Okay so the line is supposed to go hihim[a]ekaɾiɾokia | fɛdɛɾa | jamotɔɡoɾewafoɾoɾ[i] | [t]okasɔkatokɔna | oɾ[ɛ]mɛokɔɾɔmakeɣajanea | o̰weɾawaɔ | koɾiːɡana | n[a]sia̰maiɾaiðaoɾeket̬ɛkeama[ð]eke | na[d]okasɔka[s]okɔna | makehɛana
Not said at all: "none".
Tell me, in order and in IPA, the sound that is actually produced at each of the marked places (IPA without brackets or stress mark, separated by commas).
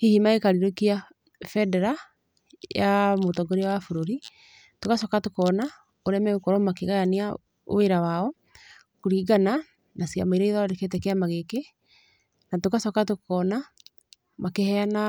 a, i, t, ɛ, a, ɣ, t, t